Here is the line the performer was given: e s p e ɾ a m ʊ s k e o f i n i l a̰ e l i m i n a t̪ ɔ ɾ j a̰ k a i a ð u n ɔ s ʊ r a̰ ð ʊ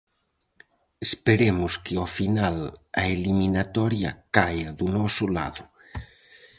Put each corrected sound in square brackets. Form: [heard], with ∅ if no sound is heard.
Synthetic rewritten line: e s p e ɾ [e] m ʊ s k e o f i n [a] l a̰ e l i m i n a t̪ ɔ ɾ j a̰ k a [j] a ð u n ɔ s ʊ [l] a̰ ð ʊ

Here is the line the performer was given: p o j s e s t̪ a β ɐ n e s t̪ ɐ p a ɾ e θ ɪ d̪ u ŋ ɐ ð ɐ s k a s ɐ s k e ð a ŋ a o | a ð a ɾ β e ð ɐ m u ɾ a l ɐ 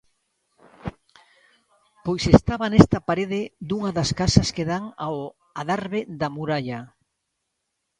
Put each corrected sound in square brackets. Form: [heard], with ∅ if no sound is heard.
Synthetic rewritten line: p o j s e s t̪ a β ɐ n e s t̪ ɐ p a ɾ e [ð] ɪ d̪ u ŋ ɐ ð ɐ s k a s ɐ s k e ð a ŋ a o | a ð a ɾ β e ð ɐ m u ɾ a [ʎ] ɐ

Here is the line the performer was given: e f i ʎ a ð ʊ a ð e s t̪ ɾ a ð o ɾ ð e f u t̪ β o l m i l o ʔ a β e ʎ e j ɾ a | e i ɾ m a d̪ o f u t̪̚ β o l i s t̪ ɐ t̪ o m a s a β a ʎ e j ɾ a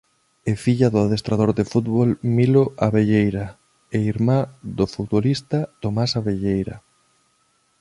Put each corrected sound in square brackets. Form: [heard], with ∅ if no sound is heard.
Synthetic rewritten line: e f i ʎ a ð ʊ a ð e s t̪ ɾ a ð o ɾ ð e f u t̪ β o l m i l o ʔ a β e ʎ e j ɾ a | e i ɾ m a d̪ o f u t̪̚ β o l i s t̪ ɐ t̪ o m a s a β [e] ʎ e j ɾ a

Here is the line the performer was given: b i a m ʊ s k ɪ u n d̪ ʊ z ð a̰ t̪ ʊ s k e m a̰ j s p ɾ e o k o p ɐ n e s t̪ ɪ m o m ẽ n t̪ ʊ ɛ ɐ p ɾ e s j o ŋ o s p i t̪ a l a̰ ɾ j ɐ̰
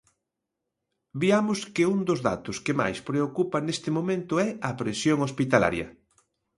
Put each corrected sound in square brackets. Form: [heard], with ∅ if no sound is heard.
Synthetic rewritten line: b i a m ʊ s k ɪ u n d̪ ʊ z ð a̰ t̪ ʊ s k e m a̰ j s p ɾ e o k [u] p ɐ n e s t̪ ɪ m o m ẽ n t̪ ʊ ɛ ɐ p ɾ e s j o ŋ o s p i t̪ a l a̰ ɾ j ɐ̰

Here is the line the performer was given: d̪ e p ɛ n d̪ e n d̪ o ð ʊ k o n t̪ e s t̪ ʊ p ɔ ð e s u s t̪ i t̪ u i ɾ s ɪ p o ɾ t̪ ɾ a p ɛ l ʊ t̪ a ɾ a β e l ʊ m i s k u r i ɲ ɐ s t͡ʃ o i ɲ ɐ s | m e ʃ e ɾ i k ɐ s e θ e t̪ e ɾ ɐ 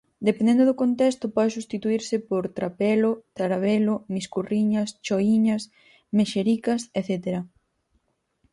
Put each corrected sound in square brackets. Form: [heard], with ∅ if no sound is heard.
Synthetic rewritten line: d̪ e p [e] n d̪ e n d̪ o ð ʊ k o n t̪ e s t̪ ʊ p ɔ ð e s u s t̪ i t̪ u i ɾ s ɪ p o ɾ t̪ ɾ a p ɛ l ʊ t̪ a ɾ a β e l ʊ m i s k u r i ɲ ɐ s t͡ʃ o i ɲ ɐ s | m e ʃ e ɾ i k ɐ s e θ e t̪ e ɾ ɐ

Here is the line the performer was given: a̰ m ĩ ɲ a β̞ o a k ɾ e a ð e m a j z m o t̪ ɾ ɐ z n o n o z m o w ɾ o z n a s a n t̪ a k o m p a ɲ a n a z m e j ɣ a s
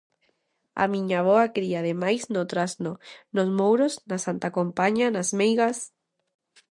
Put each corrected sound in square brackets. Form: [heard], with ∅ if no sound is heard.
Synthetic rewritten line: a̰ m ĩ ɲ a β̞ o a k ɾ [i] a ð e m a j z [n] o t̪ ɾ [a] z n o n o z m o w ɾ o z n a s a n t̪ a k o m p a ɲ a n a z m e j ɣ a s

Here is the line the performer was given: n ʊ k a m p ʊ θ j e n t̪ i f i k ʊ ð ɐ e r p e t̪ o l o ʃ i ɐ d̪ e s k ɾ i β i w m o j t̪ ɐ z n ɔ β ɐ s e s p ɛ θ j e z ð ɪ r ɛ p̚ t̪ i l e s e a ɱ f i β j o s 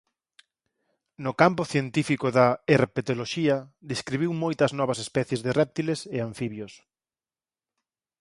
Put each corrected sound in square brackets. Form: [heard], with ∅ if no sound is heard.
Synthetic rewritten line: n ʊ k a m p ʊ θ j e n t̪ i f i k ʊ ð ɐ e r p e t̪ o l o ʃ i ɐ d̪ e s k ɾ i β i w m o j t̪ ɐ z n ɔ β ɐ s e s p ɛ θ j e z ð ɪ r ɛ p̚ t̪ i l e s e a ɱ f i β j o s

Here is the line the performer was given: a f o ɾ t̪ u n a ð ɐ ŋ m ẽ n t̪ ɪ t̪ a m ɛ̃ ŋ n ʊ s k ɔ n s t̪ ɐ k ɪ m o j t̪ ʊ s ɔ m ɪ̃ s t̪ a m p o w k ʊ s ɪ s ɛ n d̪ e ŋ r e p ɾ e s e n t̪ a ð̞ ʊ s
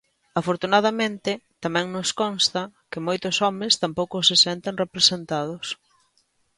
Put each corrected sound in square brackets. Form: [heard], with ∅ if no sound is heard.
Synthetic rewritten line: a f o ɾ t̪ u n a ð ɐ [∅] m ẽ n t̪ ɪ t̪ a m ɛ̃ ŋ n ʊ s k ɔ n s t̪ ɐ k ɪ m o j t̪ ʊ s ɔ m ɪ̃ s t̪ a m p o w k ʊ s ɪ s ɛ n [t̪] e ŋ r e p ɾ e s e n t̪ a ð̞ ʊ s

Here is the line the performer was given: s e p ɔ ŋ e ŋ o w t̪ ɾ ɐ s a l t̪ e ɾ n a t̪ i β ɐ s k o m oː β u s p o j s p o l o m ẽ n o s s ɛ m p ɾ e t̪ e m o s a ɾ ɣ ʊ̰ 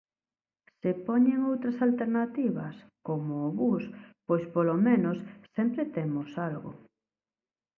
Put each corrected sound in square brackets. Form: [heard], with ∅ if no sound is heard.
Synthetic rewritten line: s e p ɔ [ɲ] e ŋ o w t̪ ɾ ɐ s a l t̪ e ɾ n a t̪ i β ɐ s k o m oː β u s p o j s p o l o m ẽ n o s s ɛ m p ɾ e t̪ e m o s a [l] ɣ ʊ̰

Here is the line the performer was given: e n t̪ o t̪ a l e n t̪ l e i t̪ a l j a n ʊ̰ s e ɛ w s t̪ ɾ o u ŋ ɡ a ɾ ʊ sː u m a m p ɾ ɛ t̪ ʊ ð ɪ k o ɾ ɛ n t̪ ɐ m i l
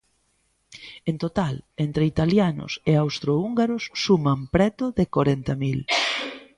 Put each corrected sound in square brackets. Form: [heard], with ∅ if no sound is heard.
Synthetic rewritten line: e n t̪ o t̪ a l e n t̪ [ɾ] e i t̪ a l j a n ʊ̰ s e [a] w s t̪ ɾ o u ŋ ɡ a ɾ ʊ sː u m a m p ɾ ɛ t̪ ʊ ð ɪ k o ɾ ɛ n t̪ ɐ m i l

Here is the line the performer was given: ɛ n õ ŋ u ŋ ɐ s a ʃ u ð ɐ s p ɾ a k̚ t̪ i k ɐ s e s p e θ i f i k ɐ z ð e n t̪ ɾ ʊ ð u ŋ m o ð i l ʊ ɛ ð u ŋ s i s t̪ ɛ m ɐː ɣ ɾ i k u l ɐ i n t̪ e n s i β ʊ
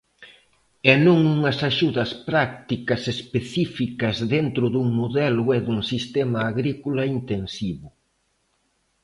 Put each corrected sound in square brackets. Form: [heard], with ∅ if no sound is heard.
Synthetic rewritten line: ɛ n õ ŋ u ŋ ɐ s a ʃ u ð ɐ s p ɾ a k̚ t̪ i k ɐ s e s p e θ i f i k ɐ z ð e n t̪ ɾ ʊ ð u ŋ m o ð [ɛ] l ʊ ɛ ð u ŋ s i s t̪ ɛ m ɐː ɣ ɾ i k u l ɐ i n t̪ e n s i β ʊ

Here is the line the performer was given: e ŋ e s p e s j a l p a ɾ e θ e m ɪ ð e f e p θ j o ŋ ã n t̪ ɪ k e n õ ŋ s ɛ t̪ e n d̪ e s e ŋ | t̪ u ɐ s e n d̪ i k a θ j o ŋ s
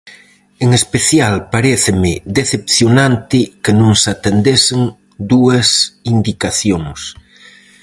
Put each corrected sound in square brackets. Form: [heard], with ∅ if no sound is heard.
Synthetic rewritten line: e ŋ e s p e [θ] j a l p a ɾ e θ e m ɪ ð e [θ] e p θ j o [n] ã n t̪ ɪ k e n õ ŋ s [a] t̪ e n d̪ e s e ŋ | [d̪] u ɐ s [i] n d̪ i k a θ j o ŋ s

